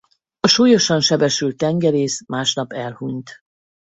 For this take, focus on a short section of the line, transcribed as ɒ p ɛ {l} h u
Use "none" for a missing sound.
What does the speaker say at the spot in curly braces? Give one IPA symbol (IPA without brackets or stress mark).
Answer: l